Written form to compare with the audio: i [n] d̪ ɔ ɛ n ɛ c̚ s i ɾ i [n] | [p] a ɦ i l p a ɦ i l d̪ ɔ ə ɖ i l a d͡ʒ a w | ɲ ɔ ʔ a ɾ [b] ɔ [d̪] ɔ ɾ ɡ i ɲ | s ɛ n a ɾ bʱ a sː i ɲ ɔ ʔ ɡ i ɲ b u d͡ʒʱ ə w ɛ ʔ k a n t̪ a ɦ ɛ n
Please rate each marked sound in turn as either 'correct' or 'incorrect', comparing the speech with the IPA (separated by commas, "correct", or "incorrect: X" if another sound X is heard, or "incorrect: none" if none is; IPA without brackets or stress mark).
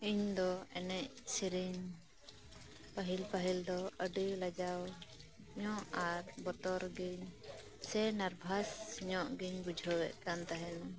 incorrect: ɲ, incorrect: ɲ, correct, correct, incorrect: t̪